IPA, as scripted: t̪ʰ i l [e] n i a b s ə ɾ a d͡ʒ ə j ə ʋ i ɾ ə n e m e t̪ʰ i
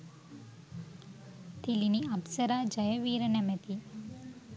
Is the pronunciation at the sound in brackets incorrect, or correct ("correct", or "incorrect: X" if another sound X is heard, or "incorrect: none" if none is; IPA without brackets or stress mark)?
incorrect: i